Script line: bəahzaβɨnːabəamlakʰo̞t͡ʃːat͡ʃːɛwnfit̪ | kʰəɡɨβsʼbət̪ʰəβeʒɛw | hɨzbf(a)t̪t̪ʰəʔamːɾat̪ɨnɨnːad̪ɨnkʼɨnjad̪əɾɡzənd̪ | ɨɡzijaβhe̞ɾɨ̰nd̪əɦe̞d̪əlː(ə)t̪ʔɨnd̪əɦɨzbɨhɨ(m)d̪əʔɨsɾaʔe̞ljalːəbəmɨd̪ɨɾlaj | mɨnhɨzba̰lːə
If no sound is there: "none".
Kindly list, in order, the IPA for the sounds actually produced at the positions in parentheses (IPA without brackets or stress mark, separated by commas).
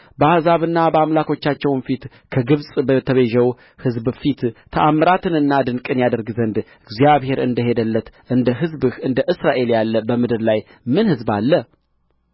i, ə, n